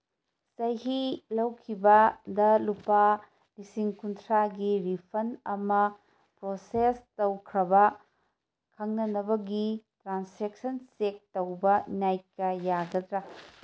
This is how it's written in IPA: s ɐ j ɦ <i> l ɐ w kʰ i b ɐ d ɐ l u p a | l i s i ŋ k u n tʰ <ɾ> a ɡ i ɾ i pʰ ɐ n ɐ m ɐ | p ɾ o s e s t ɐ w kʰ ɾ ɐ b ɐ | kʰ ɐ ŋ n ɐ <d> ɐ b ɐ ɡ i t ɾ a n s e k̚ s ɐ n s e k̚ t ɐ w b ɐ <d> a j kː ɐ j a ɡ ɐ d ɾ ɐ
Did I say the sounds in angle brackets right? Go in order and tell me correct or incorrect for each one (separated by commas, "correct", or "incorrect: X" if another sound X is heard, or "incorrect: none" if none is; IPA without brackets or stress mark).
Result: correct, correct, incorrect: n, incorrect: n